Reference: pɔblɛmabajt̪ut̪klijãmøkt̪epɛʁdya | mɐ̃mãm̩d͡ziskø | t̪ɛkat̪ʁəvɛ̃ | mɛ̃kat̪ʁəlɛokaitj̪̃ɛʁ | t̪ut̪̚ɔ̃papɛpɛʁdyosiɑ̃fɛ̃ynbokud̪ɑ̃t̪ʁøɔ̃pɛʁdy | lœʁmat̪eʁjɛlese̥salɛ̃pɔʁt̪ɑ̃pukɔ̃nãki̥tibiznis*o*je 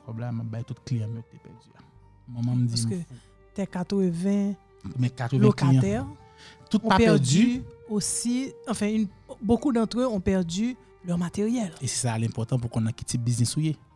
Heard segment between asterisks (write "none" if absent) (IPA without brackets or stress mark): u